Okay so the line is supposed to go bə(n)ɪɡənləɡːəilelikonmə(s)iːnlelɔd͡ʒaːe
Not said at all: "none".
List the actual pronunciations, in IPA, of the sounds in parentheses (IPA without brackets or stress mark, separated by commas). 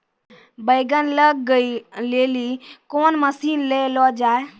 none, s